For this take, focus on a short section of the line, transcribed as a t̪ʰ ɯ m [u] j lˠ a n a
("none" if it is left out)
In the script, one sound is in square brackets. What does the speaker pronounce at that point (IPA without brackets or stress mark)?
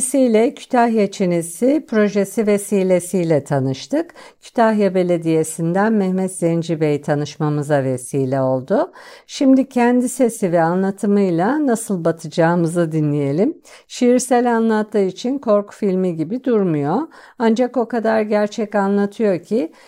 ɯ